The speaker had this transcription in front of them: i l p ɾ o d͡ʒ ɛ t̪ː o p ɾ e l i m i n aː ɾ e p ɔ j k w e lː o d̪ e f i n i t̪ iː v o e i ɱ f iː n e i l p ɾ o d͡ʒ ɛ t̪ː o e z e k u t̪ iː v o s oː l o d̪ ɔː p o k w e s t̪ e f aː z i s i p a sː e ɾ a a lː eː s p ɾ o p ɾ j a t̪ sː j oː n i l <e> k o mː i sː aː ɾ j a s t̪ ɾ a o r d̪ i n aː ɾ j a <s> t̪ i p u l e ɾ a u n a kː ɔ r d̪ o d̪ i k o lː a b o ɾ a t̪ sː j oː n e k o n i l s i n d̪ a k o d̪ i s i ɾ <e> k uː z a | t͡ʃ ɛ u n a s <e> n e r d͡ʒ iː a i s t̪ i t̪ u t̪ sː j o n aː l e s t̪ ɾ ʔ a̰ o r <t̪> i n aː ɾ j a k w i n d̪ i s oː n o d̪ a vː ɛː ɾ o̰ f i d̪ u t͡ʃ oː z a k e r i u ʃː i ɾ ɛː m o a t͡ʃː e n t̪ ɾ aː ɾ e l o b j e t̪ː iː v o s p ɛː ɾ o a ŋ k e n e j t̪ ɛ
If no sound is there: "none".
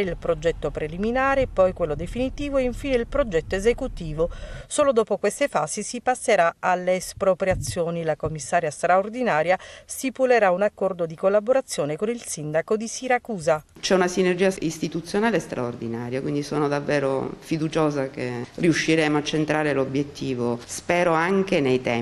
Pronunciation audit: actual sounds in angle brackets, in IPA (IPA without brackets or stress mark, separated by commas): a, s, a, i, d̪